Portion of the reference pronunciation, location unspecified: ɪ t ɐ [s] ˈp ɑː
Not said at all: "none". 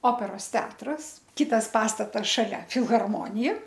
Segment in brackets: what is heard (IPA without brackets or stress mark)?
s